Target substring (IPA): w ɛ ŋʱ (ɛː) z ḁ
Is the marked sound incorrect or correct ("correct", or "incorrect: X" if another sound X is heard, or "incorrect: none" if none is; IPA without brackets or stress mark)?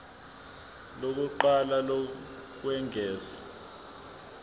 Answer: correct